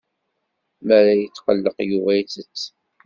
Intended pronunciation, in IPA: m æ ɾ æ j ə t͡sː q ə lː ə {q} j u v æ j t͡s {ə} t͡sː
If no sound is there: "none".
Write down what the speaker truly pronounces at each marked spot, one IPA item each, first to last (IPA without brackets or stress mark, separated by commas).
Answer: q, ə